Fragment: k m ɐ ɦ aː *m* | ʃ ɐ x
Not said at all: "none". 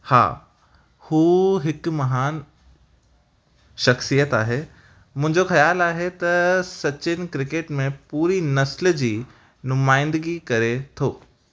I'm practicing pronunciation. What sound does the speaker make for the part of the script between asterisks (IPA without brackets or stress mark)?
n